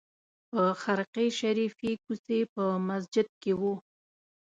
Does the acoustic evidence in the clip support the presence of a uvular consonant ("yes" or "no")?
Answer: yes